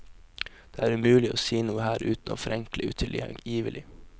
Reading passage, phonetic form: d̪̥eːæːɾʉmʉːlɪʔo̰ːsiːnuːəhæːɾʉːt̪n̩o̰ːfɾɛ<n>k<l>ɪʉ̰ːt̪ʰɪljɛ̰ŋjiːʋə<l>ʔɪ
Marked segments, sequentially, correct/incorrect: incorrect: ŋ, correct, correct

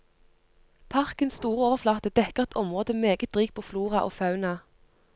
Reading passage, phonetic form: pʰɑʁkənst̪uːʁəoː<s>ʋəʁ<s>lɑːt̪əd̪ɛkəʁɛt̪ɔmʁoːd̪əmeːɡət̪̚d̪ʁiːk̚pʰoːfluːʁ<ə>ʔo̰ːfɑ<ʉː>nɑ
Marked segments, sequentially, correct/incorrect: incorrect: none, incorrect: f, incorrect: ɑ, incorrect: ʉ

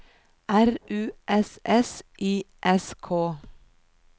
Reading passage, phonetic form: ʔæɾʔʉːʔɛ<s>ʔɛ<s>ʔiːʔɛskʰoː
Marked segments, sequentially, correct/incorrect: correct, correct

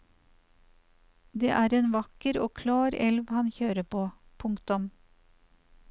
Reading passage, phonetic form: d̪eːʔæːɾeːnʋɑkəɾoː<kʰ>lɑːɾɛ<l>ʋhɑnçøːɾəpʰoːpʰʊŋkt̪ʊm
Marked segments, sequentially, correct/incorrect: correct, correct

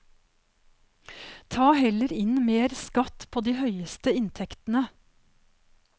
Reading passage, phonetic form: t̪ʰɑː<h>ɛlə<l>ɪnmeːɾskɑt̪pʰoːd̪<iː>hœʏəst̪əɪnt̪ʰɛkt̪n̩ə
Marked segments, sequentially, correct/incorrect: correct, incorrect: ɾ, correct

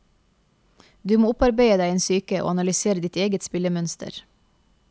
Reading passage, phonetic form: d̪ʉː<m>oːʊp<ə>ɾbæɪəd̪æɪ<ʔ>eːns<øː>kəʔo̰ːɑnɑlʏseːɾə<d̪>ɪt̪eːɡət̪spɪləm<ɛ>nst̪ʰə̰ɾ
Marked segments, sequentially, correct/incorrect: correct, incorrect: ɑ, incorrect: none, incorrect: yː, correct, incorrect: œ

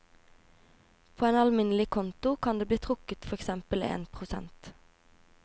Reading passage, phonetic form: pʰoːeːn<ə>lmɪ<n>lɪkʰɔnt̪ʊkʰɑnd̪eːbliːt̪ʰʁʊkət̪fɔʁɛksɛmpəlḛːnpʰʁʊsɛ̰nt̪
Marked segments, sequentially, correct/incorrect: incorrect: ɑ, correct

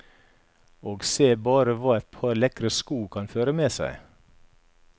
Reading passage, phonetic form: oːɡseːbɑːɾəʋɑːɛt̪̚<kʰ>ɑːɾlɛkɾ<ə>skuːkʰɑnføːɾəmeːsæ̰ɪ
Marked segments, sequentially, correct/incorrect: incorrect: pʰ, correct

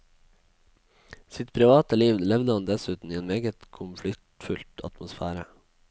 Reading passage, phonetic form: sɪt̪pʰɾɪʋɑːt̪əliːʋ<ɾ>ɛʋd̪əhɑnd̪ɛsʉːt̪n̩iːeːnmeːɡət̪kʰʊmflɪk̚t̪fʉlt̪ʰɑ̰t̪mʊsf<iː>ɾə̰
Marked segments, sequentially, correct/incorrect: incorrect: l, incorrect: æː

